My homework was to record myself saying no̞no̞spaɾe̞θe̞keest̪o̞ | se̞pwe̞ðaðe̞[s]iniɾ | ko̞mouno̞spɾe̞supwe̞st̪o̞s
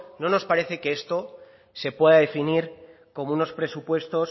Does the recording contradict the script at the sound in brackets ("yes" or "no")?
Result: yes